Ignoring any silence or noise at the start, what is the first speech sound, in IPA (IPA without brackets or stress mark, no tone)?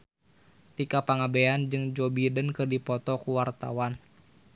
t̪